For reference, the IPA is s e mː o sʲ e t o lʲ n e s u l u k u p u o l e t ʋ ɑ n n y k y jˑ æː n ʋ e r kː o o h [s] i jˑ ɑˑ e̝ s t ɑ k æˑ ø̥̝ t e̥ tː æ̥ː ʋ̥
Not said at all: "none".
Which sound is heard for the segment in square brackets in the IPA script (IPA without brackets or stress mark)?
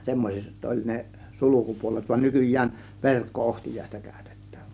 t